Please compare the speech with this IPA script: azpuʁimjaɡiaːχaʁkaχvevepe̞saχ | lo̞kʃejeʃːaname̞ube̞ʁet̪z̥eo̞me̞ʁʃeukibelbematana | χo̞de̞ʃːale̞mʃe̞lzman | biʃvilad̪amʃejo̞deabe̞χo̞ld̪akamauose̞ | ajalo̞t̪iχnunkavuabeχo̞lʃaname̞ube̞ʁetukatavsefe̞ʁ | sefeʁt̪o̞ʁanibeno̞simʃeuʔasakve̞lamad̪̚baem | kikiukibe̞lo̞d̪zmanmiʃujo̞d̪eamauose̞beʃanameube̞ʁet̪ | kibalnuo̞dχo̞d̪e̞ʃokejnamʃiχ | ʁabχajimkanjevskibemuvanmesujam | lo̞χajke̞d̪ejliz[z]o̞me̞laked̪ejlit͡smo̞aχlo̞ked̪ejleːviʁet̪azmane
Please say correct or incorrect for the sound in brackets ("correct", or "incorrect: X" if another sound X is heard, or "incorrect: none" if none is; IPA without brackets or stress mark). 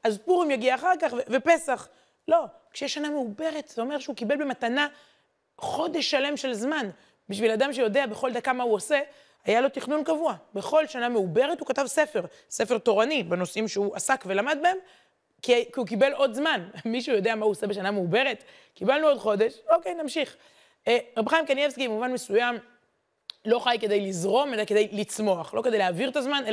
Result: incorrect: ʁ